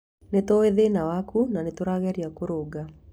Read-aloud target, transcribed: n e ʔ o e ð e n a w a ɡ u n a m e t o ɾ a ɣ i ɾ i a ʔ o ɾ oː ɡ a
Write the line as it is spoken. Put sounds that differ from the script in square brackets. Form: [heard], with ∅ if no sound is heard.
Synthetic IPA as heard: n e [t] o e ð e n a w a [k] u n a [n] e t o ɾ a ɣ [ɛ] ɾ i a [k] o ɾ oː ɡ a